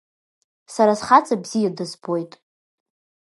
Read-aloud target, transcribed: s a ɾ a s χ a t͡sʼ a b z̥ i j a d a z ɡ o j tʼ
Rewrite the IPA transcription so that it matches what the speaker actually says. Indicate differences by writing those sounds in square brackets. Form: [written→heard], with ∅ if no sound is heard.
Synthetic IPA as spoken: s a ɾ a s χ a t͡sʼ a b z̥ i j a d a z [ɡ→b] o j tʼ